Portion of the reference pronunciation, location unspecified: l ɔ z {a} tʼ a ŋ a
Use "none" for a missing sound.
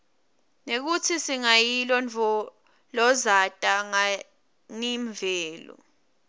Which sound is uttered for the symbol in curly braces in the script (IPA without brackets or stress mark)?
a